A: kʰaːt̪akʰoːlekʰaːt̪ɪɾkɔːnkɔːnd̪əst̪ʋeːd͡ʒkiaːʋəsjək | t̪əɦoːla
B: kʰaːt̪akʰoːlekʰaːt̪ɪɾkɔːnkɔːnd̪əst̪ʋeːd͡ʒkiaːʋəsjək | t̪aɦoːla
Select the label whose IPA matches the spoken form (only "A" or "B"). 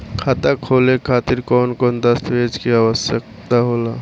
B